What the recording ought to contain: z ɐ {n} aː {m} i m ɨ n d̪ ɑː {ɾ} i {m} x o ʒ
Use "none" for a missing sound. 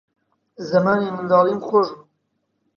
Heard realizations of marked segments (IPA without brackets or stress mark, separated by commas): m, n, l, m